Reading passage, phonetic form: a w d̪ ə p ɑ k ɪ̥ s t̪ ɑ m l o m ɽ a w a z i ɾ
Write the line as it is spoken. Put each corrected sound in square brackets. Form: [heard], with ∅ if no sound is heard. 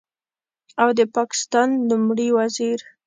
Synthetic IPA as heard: a w d̪ ə p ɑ k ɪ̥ s t̪ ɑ [n] l [u] m ɽ [i] w a z i ɾ